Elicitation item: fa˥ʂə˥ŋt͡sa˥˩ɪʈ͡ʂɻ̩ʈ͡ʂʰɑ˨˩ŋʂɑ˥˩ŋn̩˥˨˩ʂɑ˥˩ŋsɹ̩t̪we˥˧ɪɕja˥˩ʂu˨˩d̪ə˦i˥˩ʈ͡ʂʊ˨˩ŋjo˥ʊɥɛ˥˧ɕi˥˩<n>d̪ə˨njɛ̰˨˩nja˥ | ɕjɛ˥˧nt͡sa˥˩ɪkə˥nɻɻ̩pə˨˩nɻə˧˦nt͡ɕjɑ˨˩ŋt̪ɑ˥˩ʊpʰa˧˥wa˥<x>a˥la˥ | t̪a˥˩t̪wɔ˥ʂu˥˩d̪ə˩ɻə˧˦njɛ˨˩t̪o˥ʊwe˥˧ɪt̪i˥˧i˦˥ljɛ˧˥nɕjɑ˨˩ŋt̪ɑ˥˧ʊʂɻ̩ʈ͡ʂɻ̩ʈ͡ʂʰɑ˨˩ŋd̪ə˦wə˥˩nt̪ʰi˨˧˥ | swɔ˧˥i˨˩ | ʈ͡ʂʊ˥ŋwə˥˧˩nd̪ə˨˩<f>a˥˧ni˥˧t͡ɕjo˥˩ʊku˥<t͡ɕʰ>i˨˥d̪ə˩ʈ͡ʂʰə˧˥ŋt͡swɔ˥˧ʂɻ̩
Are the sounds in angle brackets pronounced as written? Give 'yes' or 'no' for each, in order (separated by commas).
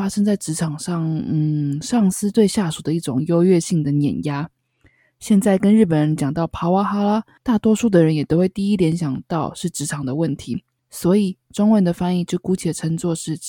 no, yes, yes, yes